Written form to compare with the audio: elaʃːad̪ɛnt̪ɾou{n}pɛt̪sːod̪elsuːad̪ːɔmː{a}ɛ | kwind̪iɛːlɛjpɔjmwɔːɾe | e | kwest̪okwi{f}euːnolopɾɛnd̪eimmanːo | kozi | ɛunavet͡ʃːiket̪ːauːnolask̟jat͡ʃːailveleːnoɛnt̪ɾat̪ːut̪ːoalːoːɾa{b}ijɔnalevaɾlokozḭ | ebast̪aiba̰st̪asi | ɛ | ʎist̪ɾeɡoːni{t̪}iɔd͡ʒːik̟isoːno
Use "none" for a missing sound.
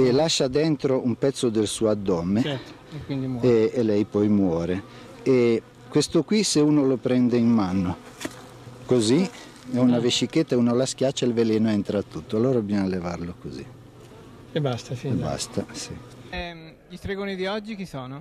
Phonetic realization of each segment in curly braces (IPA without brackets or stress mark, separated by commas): m, e, s, b, d̪